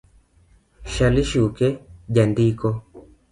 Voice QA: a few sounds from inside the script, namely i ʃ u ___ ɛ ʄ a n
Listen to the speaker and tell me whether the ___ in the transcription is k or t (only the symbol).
k